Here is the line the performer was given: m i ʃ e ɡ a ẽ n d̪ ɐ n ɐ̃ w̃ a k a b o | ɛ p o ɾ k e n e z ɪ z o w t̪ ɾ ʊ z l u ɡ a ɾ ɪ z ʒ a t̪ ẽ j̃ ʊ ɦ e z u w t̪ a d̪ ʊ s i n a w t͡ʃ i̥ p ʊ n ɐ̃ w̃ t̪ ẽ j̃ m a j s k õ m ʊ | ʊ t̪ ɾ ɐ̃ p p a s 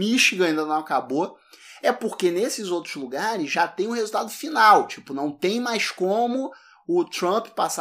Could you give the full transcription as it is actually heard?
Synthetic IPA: m i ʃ i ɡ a ĩ n d̪ ɐ n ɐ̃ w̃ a k a b o | ɛ p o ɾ k e n e s ɪ z o w t̪ ɾ ʊ z l u ɡ a ɾ ɪ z ʒ a t̪ ẽ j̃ ʊ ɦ e z u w t̪ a d̪ ʊ f i n a w t͡ʃ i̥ p ʊ n ɐ̃ w̃ t̪ ẽ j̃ m a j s k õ m ʊ | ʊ t̪ ɾ ɐ̃ p p a s